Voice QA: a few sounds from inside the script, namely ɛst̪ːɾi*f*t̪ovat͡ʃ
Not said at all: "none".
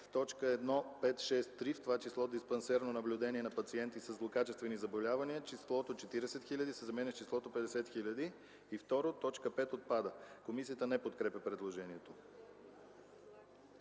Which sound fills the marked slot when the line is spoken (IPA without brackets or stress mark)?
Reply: f